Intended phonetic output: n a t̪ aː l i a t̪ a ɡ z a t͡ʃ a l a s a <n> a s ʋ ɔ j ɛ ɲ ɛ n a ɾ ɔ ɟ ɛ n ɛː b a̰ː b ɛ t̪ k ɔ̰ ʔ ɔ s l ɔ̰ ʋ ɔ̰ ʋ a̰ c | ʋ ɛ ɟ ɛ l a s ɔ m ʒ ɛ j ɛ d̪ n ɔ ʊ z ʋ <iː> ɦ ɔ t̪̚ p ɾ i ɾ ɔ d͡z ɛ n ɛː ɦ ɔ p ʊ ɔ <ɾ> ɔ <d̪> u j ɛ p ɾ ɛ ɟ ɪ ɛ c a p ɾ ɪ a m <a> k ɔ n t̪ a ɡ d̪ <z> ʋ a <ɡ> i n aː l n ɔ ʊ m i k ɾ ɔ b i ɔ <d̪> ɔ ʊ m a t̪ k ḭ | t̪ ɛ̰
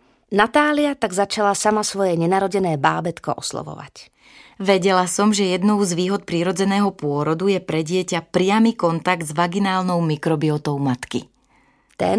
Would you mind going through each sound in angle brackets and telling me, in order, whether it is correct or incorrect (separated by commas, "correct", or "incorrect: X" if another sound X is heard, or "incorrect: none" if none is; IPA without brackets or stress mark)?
incorrect: m, correct, correct, correct, incorrect: i, correct, correct, incorrect: t̪